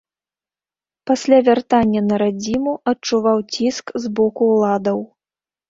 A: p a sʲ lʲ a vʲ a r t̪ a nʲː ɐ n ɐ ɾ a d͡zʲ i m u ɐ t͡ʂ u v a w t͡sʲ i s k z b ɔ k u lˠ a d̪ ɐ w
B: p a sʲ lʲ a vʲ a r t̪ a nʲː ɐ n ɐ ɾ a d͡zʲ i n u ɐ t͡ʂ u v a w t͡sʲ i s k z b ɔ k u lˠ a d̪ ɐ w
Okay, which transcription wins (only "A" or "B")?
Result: A